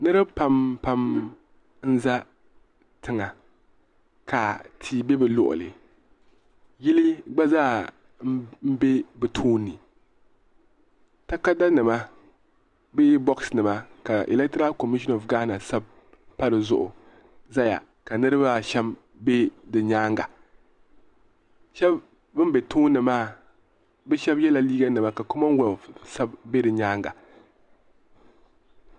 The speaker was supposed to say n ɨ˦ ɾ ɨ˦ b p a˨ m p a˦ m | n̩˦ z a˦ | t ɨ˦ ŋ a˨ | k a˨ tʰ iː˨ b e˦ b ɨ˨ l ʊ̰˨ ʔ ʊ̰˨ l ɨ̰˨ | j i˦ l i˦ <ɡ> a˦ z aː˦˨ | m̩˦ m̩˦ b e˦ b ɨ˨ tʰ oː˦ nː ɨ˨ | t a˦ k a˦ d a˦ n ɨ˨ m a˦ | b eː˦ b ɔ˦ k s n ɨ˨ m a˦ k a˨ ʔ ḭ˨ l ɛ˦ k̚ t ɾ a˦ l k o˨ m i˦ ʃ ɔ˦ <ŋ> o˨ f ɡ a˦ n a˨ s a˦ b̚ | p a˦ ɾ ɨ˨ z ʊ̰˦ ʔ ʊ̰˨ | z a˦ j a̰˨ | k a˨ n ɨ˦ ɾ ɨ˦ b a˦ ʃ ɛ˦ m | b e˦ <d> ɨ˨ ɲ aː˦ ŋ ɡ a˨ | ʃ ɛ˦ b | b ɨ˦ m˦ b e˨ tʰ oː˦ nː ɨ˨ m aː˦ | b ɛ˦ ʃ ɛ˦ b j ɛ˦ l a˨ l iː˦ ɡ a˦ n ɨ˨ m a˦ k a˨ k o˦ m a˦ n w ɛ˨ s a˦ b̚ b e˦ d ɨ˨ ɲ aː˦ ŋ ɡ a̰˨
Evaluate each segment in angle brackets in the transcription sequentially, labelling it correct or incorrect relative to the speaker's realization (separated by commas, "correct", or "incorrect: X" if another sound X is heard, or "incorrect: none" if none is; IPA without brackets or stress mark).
incorrect: ɡ͡b, incorrect: n, correct